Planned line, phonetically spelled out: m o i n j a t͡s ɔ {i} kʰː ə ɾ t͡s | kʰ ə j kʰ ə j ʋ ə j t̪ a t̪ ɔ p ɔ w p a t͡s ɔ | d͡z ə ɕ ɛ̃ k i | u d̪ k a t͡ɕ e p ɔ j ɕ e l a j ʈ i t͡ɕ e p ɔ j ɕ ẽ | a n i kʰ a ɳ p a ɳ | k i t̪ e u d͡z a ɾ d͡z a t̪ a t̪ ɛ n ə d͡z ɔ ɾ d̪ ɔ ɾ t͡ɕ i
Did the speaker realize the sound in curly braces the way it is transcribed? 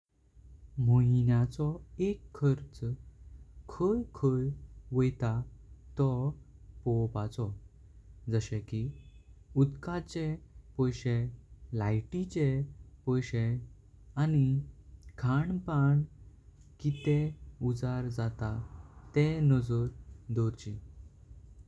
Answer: no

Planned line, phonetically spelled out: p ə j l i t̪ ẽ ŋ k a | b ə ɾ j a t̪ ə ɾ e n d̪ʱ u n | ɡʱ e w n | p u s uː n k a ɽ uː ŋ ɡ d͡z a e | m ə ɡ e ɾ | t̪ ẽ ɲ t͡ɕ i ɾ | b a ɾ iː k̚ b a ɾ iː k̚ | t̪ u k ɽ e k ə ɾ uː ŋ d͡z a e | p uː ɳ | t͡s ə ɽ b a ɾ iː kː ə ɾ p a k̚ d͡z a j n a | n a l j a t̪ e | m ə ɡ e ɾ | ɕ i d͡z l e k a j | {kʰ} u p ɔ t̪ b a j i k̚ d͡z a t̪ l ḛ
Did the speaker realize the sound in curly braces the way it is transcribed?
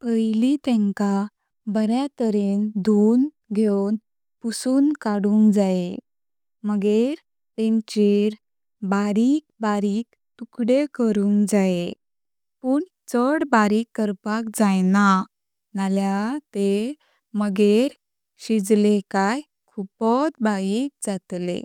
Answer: yes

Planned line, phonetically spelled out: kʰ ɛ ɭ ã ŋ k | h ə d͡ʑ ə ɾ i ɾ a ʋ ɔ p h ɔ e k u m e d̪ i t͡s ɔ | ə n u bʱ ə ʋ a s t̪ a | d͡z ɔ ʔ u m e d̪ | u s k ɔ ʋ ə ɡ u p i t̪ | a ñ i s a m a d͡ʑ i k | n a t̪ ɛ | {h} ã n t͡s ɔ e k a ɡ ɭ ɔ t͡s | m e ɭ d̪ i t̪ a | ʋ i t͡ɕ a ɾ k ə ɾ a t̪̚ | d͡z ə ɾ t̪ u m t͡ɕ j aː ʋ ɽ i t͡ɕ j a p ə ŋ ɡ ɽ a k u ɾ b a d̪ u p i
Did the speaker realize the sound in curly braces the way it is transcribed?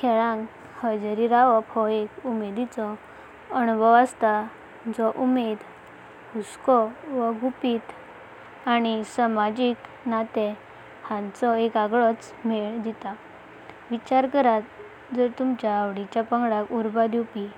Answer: yes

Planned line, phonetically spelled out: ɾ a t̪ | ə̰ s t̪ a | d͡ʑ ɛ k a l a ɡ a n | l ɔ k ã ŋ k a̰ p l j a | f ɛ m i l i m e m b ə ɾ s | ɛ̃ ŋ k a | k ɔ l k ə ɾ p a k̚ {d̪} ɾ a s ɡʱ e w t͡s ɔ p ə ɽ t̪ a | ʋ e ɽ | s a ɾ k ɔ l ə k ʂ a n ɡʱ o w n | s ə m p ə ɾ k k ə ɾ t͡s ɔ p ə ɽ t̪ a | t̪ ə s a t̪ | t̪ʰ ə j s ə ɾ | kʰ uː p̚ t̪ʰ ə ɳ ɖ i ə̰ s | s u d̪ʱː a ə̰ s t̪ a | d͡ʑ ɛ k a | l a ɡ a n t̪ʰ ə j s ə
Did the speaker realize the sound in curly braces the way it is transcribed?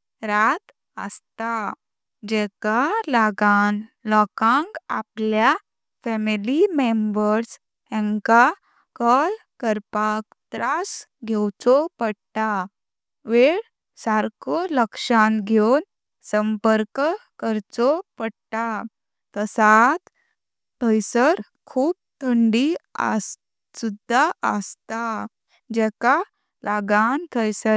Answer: no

